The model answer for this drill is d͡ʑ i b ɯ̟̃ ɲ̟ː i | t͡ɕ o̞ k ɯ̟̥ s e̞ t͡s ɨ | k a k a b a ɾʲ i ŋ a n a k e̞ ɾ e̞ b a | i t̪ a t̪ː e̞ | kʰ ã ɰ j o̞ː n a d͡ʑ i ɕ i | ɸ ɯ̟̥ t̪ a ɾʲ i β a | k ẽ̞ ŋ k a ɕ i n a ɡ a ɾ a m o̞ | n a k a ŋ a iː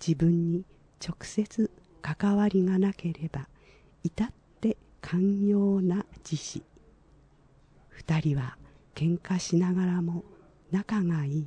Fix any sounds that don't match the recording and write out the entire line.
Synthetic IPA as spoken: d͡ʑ i b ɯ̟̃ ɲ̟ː i | t͡ɕ o̞ k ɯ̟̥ s e̞ t͡s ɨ | k a k a β a ɾʲ i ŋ a n a k e̞ ɾ e̞ b a | i t̪ a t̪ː e̞ | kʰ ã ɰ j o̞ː n a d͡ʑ i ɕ i | ɸ ɯ̟̥ t̪ a ɾʲ i β a | k ẽ̞ ŋ k a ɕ i n a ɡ a ɾ a m o̞ | n a k a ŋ a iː